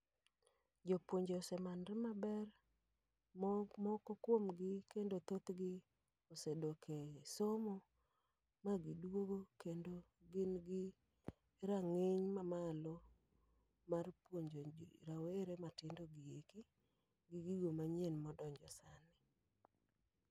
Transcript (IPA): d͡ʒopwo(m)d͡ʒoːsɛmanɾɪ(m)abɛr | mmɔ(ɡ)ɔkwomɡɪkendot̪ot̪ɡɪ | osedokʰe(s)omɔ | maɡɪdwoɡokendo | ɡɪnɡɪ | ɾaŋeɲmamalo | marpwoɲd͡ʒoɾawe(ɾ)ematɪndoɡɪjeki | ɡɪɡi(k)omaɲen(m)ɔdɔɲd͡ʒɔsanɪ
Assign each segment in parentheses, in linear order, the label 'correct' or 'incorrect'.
incorrect: ɲ, correct, incorrect: k, correct, correct, incorrect: ɡ, correct

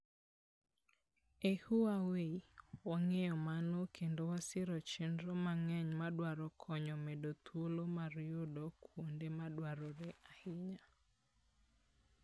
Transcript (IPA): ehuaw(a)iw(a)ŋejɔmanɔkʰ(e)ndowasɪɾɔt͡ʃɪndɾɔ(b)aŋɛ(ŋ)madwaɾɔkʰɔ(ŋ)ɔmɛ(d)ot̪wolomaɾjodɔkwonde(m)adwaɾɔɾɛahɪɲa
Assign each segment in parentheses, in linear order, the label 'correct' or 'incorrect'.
incorrect: e, correct, correct, incorrect: m, incorrect: ɲ, incorrect: ɲ, correct, correct

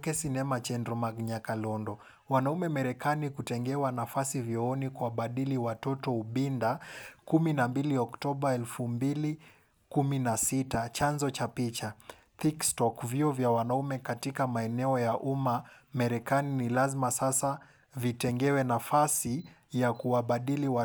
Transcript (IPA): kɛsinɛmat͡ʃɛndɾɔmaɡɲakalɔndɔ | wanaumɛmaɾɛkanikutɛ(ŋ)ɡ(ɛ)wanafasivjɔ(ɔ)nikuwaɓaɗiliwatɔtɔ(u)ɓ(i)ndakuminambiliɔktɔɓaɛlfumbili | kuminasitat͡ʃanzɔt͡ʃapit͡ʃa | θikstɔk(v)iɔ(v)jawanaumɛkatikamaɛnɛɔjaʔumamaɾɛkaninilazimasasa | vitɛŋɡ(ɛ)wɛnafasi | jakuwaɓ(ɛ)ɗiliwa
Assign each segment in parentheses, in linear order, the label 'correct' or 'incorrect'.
correct, correct, correct, correct, correct, correct, correct, correct, incorrect: a

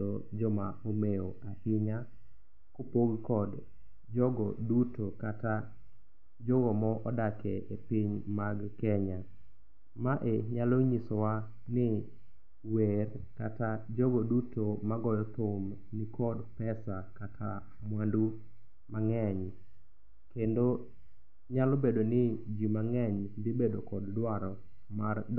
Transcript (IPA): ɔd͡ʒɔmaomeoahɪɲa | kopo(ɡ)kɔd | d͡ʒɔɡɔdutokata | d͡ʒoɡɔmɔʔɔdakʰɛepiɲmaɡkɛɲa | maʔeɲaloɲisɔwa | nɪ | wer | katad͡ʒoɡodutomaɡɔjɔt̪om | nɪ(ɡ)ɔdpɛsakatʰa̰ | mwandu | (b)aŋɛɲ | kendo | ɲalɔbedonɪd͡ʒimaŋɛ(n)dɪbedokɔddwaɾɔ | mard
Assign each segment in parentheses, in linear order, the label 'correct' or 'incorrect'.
correct, incorrect: k, incorrect: m, incorrect: ɲ

